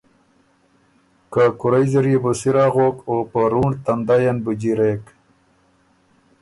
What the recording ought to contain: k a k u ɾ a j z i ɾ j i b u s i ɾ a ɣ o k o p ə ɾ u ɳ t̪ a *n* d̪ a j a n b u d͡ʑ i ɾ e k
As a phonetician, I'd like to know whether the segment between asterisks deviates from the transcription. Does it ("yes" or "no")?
no